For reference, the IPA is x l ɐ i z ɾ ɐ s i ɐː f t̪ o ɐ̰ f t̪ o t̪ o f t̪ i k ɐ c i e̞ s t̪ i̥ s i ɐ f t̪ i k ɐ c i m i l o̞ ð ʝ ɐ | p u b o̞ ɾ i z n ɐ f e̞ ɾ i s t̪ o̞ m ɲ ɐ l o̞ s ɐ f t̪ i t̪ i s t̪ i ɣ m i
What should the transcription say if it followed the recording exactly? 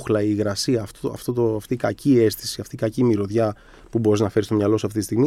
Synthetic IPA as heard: x l ɐ i ɣ ɾ ɐ s i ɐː f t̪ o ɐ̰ f t̪ o t̪ o f t̪ i k ɐ c i e̞ s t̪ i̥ s i ɐ f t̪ i k ɐ c i m i ɾ o̞ ð ʝ ɐ | p u b o̞ ɾ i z n ɐ f e̞ ɾ i s t̪ o̞ m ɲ ɐ l o̞ s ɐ f t̪ i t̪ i s t̪ i ɣ m i